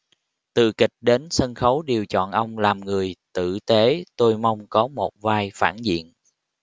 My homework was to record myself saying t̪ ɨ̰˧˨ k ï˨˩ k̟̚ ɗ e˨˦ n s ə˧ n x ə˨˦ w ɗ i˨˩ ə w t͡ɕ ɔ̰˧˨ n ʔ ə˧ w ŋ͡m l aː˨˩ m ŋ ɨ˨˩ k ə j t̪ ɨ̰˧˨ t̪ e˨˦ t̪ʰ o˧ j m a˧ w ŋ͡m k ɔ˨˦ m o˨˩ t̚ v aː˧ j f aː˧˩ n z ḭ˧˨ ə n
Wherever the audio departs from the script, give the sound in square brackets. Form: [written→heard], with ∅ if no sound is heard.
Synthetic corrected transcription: t̪ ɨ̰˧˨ k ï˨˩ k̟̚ ɗ e˨˦ n s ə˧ n x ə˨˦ w ɗ i˨˩ ə w t͡ɕ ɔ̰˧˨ n ʔ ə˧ w ŋ͡m l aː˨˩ m ŋ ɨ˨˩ [k→∅] ə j t̪ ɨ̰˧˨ t̪ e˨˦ [t̪ʰ→t̪] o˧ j m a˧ w ŋ͡m k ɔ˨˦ m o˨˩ t̚ v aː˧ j f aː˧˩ n z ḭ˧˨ ə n